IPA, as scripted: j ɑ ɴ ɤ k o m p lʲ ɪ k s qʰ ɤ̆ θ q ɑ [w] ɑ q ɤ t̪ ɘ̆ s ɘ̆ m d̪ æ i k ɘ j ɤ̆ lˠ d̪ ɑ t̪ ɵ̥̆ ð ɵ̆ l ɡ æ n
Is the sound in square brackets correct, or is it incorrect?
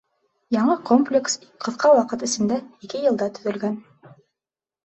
correct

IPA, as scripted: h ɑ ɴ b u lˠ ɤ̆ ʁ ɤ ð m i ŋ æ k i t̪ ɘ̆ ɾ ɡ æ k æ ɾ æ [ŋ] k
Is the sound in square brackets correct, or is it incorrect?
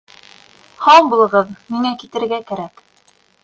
incorrect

